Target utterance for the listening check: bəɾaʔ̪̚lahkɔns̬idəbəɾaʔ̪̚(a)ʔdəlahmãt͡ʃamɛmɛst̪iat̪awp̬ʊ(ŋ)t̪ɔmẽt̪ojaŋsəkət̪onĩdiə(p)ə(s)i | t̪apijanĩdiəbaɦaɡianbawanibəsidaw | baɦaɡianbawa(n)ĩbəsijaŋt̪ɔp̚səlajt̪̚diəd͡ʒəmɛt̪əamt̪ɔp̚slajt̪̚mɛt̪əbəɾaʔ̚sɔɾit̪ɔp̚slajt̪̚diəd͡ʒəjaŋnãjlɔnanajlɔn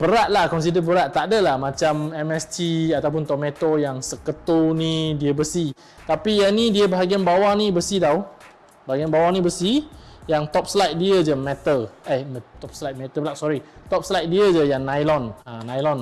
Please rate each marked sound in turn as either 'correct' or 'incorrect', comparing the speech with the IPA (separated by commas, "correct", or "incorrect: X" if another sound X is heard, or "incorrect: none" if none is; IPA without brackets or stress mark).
correct, incorrect: n, incorrect: b, correct, correct